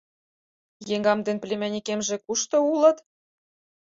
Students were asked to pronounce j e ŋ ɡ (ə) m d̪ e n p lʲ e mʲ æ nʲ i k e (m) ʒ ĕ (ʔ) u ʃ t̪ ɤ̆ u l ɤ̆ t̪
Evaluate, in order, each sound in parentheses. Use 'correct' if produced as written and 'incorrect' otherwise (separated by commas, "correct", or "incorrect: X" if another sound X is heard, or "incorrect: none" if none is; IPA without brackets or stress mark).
incorrect: ɑ, correct, incorrect: k